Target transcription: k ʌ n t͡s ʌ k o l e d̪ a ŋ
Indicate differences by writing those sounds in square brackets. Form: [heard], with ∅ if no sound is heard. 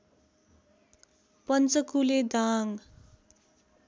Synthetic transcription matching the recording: [p] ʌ n t͡s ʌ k [u] l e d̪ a ŋ